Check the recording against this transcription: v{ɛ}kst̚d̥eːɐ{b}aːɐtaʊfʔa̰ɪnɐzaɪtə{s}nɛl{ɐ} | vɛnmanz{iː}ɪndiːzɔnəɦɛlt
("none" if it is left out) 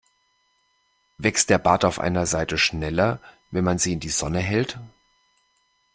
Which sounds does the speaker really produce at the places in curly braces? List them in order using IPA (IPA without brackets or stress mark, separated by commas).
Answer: ɛ, b, ʃ, ɐ, iː